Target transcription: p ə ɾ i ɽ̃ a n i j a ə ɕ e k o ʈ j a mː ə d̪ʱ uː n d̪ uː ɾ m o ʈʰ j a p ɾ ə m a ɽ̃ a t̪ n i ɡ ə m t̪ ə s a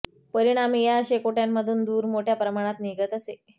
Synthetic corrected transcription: p ə ɾ i ɽ̃ a m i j a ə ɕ e k o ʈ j a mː ə d̪ʱ uː n d̪ uː ɾ m o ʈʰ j a p ɾ ə m a ɽ̃ a t̪ n i ɡ ə t̪ ə s e